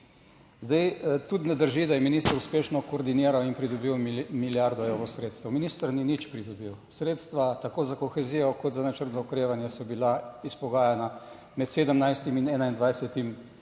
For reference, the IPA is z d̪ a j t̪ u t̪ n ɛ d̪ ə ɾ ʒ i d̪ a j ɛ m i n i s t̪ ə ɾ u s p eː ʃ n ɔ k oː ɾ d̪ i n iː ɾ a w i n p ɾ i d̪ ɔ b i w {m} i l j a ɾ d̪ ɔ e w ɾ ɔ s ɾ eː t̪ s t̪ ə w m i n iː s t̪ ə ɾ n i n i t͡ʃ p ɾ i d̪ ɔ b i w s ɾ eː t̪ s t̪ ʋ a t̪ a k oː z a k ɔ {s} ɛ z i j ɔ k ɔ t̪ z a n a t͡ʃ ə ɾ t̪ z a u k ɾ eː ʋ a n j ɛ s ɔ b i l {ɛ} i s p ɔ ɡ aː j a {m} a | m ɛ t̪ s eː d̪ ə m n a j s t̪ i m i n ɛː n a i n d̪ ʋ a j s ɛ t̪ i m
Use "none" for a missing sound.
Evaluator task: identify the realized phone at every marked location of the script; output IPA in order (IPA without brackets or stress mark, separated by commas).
m, x, a, n